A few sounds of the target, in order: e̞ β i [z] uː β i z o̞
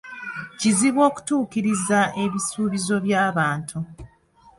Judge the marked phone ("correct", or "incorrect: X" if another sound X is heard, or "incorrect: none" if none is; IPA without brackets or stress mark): incorrect: s